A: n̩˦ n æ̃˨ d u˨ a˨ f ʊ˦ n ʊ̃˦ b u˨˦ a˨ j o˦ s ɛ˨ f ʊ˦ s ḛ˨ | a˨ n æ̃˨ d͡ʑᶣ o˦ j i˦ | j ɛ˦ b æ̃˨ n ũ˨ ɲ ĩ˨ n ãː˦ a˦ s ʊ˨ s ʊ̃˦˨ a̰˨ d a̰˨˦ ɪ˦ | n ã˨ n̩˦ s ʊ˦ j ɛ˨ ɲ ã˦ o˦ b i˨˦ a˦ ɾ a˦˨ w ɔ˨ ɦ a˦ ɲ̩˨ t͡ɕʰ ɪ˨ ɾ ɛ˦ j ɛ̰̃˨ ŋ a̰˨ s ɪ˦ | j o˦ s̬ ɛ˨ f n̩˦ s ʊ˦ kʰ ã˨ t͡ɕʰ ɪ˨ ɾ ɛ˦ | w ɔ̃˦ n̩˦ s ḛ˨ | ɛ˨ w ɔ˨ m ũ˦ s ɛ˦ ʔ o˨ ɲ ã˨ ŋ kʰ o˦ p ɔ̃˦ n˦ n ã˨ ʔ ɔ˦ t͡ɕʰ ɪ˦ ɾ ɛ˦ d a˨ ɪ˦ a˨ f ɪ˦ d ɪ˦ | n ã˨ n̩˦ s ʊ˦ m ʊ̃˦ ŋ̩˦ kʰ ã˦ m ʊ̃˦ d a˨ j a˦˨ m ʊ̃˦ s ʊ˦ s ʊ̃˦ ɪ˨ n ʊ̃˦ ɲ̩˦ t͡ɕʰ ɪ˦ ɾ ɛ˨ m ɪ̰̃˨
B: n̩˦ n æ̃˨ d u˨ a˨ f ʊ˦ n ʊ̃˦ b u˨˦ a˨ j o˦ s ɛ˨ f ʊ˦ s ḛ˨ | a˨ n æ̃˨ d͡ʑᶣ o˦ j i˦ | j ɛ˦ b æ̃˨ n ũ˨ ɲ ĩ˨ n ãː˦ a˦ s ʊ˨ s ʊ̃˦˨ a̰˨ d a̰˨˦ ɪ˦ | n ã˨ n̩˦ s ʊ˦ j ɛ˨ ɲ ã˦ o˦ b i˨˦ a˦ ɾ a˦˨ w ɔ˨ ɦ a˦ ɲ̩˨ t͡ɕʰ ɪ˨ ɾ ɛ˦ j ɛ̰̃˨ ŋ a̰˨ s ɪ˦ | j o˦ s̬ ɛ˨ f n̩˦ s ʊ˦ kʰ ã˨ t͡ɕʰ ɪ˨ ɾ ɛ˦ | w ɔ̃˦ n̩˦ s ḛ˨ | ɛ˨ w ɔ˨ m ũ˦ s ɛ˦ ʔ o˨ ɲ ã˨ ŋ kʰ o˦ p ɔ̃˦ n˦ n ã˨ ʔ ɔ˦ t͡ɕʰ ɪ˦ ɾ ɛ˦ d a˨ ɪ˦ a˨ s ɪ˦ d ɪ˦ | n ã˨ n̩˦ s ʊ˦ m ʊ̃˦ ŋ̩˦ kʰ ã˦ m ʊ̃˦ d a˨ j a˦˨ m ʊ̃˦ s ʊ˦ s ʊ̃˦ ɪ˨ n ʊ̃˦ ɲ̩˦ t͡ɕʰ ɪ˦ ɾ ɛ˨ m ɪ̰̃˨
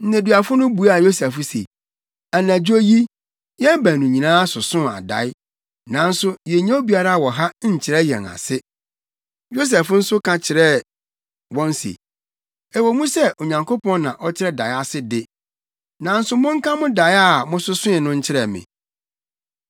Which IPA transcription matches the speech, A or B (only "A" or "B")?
B